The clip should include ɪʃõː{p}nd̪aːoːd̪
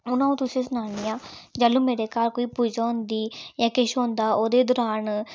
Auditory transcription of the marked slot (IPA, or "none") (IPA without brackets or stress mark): none